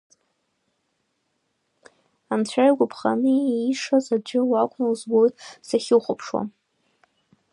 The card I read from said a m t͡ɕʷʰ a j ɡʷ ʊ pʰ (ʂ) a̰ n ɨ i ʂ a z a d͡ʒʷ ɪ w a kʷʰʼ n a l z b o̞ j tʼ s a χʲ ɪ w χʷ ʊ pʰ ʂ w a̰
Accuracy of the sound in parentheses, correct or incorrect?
incorrect: χ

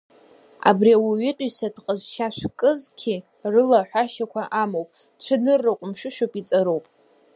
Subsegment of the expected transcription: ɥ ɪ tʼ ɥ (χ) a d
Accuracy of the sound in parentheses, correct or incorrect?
incorrect: s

